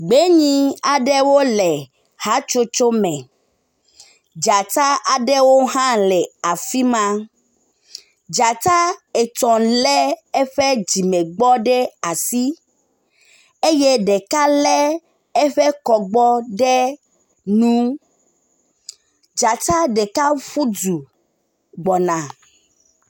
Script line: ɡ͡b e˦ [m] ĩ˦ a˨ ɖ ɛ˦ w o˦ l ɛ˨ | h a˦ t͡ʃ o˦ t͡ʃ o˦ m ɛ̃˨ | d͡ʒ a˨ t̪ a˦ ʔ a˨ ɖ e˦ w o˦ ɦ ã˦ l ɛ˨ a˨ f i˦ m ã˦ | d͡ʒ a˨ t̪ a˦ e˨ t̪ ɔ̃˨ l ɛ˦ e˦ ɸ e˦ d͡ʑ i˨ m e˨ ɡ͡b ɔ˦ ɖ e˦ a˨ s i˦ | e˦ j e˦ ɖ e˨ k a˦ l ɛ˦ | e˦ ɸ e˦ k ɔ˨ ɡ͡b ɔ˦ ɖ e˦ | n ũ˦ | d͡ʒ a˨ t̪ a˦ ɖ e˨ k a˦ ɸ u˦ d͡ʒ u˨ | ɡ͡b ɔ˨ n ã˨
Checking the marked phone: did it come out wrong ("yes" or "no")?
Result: yes